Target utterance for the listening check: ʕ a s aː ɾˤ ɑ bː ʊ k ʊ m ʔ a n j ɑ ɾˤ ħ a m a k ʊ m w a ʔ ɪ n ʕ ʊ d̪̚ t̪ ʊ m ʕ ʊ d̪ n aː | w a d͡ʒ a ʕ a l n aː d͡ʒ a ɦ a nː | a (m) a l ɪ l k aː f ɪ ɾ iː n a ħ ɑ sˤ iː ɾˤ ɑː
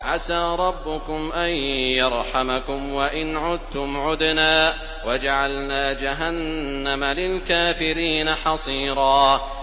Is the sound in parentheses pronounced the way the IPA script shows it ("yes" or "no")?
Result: yes